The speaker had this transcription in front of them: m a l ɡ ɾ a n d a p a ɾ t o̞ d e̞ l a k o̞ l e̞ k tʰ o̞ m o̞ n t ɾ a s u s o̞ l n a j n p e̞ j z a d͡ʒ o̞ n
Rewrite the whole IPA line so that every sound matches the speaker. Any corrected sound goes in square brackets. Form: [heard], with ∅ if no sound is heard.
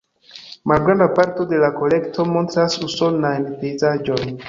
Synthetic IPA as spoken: m a l ɡ ɾ a n d a p a ɾ t o̞ d e̞ l a k o̞ l e̞ k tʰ o̞ m o̞ n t ɾ a s u s o̞ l n a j n p e̞ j z a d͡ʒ o̞ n